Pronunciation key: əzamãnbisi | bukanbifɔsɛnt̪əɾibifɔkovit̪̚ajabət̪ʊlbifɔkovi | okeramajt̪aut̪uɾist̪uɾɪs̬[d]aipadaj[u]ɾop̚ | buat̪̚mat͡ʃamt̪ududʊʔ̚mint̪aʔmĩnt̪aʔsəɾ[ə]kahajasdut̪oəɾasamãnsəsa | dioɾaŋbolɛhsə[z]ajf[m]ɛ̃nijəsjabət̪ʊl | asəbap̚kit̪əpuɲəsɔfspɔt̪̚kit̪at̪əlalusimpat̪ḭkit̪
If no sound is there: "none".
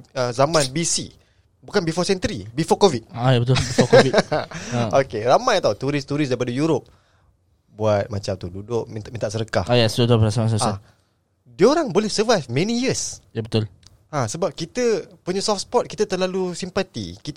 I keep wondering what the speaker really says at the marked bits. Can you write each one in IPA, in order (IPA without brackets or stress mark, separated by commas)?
d, u, ə, v, m